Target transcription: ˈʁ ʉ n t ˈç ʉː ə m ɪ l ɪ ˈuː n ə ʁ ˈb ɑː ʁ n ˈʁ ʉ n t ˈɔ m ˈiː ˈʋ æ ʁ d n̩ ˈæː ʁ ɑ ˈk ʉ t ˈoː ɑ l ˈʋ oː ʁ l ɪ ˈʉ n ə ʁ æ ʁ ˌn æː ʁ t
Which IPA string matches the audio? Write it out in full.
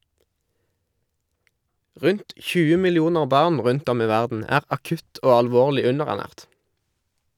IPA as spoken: ˈʁ ʉ n t ˈç ʉː ə m ɪ l ɪ ˈuː n ə ʁ ˈb ɑː ʁ n ˈʁ ʉ n t ˈɔ m ˈiː ˈʋ æ ʁ d n̩ ˈæː ʁ ɑ ˈk ʉ t ˈoː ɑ l ˈʋ oː ʁ l ɪ ˈʉ n ə ʁ æ ʁ ˌn æː ʁ t